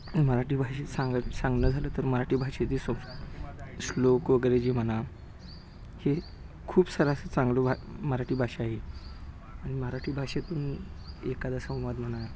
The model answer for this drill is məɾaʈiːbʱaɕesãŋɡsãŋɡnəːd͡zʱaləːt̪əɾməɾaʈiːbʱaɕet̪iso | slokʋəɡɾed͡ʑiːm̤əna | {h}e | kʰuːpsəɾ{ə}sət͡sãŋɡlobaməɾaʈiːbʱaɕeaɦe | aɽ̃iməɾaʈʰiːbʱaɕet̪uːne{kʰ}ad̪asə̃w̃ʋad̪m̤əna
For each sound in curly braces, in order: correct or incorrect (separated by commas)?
correct, incorrect, incorrect